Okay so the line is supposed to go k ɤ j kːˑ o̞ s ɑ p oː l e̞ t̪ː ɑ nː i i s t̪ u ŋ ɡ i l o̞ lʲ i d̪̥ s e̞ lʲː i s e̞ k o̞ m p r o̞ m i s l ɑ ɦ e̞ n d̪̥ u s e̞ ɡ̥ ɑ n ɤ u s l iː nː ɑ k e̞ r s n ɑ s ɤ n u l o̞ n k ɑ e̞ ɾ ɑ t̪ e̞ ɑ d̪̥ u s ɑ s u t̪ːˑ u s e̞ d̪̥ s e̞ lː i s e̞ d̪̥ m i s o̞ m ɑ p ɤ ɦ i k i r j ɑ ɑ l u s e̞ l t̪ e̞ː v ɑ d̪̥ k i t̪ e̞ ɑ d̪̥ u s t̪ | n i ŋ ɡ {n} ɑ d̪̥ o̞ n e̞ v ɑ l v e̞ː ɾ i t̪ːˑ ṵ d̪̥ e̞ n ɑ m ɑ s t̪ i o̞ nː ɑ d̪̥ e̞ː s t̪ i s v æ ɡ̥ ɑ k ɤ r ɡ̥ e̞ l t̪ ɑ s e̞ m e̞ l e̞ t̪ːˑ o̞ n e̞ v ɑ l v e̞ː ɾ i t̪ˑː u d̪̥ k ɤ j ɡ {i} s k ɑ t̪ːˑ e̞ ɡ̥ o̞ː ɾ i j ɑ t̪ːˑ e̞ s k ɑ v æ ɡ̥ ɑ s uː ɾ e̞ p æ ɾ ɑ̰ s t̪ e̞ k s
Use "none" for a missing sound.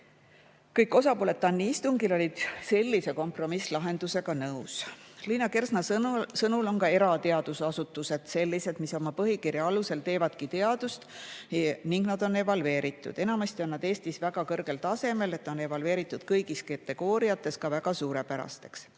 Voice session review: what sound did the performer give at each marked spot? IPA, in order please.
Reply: n, i

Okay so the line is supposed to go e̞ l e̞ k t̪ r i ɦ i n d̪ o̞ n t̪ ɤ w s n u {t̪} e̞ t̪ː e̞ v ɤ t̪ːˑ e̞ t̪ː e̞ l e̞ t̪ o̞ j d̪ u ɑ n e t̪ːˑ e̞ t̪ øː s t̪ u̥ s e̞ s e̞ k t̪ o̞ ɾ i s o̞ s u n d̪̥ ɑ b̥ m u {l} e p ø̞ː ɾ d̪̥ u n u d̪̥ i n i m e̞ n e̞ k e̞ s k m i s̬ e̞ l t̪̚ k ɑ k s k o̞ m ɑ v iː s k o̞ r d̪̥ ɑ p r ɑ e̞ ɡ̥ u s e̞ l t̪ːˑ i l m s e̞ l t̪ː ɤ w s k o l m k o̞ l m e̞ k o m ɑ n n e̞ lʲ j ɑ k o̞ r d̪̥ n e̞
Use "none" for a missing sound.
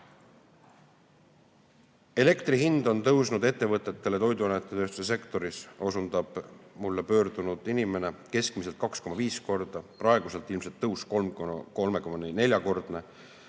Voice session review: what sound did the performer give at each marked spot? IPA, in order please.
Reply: d̪, lː

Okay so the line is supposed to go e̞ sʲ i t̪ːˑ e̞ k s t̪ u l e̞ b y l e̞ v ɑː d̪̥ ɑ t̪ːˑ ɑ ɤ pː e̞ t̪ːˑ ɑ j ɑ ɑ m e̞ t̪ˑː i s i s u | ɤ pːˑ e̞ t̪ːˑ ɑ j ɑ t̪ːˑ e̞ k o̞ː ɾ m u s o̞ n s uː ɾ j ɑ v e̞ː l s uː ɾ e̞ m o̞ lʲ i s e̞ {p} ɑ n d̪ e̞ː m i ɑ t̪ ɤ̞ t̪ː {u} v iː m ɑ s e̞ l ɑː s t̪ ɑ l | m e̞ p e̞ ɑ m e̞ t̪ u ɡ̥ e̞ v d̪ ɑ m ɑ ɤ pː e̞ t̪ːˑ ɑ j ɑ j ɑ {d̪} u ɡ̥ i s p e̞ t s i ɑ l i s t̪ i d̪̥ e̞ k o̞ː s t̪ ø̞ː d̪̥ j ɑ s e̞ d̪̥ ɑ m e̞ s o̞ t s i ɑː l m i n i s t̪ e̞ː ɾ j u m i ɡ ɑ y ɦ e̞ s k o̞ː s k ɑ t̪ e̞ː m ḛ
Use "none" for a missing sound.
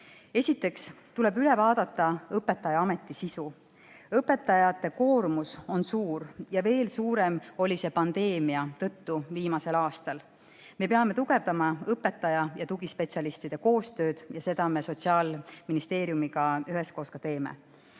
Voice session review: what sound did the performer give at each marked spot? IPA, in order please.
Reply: p, u, t̪

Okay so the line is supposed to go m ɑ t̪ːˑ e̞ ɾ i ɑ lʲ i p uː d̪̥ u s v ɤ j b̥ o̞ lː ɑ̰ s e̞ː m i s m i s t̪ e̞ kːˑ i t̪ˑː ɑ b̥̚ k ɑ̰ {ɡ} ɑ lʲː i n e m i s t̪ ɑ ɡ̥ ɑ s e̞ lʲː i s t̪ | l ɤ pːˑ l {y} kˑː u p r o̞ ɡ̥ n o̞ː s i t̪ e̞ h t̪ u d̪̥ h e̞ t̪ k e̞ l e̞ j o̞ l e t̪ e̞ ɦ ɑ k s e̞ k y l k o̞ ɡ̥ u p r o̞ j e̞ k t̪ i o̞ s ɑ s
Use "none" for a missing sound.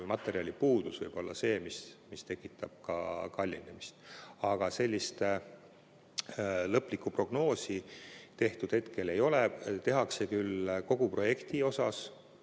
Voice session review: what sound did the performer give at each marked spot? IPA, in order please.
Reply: k, i

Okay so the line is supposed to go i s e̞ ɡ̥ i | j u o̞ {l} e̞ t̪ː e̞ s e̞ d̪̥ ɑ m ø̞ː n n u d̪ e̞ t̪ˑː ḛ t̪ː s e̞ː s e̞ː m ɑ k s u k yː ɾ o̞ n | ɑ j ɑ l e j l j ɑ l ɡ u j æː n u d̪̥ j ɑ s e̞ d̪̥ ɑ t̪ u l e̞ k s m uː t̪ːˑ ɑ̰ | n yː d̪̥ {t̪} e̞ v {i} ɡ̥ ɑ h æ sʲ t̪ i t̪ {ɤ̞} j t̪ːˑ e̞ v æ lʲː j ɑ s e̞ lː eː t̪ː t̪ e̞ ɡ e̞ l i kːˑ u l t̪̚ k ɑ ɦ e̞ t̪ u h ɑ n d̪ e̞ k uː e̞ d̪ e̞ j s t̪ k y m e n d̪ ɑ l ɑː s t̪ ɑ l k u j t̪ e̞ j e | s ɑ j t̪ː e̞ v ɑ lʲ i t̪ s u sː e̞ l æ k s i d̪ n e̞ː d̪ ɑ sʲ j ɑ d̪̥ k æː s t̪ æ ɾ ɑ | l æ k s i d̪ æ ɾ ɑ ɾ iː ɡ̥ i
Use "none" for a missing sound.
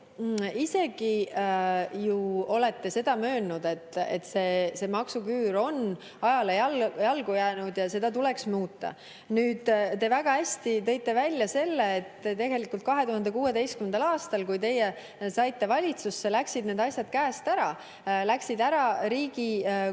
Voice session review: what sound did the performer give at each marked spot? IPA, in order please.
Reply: l, t̪, æ, ɤ̞

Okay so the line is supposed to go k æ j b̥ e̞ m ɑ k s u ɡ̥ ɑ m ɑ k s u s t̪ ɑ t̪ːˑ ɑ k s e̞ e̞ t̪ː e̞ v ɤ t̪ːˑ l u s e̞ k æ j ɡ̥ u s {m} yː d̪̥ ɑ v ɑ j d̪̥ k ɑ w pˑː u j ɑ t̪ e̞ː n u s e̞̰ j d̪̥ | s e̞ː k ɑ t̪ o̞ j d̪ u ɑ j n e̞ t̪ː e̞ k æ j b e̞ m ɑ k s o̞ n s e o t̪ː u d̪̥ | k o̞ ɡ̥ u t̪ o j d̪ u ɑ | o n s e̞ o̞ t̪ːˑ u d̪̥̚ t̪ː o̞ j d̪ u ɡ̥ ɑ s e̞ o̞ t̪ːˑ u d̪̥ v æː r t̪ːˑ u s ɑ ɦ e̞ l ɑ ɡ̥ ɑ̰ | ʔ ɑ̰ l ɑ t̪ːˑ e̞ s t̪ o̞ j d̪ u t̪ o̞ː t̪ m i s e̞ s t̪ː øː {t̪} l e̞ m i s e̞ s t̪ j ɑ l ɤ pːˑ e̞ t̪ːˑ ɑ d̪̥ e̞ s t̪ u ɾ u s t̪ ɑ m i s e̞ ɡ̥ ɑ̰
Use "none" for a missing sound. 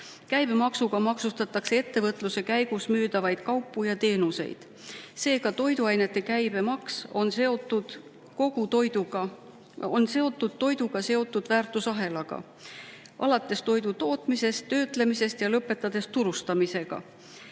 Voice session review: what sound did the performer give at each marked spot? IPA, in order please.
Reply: m, t̪

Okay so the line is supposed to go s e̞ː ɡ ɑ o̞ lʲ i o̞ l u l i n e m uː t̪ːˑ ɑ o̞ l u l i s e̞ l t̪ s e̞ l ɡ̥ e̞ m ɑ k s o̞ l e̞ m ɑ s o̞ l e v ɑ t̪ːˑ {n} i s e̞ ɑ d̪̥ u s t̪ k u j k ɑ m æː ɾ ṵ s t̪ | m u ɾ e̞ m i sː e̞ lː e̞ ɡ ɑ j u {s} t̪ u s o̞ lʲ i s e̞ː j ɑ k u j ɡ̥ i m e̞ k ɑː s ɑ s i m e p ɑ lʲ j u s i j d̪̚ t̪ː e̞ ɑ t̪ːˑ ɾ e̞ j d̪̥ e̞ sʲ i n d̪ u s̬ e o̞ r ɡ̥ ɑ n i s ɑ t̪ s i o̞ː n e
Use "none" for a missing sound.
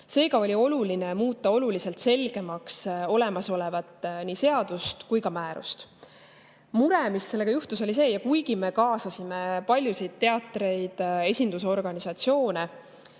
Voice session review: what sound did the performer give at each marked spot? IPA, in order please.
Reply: n, h

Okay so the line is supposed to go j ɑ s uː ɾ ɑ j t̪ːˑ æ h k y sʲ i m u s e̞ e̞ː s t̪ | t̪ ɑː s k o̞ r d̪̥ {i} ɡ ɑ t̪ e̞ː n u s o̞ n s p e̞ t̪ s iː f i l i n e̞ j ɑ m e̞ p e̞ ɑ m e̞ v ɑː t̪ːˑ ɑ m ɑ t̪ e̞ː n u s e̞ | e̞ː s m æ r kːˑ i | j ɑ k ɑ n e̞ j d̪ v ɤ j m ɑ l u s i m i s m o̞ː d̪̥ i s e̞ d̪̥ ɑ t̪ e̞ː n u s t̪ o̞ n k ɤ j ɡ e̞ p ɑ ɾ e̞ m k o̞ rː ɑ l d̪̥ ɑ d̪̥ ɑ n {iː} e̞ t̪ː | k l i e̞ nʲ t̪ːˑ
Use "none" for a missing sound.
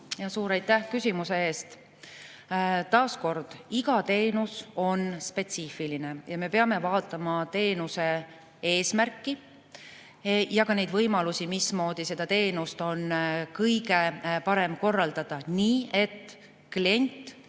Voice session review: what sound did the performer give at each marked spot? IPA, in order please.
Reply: i, iː

